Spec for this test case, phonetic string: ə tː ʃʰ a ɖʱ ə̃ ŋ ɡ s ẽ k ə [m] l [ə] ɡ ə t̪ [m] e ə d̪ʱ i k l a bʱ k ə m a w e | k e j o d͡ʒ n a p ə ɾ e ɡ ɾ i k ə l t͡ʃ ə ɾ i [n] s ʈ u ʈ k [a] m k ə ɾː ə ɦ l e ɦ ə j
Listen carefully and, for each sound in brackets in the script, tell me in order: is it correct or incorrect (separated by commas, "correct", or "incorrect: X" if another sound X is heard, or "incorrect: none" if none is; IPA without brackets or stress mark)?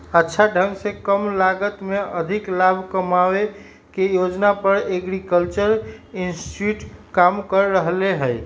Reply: correct, incorrect: a, correct, correct, correct